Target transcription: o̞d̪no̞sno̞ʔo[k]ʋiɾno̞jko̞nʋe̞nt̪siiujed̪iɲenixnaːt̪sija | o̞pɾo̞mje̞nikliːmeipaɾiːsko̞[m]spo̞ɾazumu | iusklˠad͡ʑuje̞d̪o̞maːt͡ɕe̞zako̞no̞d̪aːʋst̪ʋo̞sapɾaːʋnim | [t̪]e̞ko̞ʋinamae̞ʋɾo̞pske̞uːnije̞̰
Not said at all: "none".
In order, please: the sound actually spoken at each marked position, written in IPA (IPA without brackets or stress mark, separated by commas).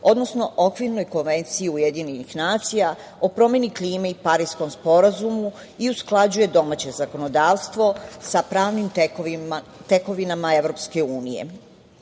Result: k, m, t̪